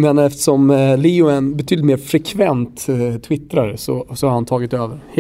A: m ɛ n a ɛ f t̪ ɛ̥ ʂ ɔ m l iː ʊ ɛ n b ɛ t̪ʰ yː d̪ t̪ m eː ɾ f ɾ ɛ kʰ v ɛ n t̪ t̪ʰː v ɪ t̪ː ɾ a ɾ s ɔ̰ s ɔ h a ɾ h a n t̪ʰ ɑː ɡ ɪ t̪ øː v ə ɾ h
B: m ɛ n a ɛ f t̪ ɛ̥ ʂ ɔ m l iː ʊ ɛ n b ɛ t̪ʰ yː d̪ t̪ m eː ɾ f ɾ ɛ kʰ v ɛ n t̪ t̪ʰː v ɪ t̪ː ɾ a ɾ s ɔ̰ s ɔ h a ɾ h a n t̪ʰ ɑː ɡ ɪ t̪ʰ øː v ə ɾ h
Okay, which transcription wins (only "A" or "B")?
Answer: A